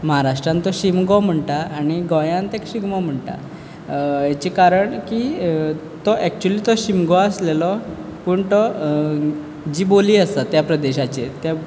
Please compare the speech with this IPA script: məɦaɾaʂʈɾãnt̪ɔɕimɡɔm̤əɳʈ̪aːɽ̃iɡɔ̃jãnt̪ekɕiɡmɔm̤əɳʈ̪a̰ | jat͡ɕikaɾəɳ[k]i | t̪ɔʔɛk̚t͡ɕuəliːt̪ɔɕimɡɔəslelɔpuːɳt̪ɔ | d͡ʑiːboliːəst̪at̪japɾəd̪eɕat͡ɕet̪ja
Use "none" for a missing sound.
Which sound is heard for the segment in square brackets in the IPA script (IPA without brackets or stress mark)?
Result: k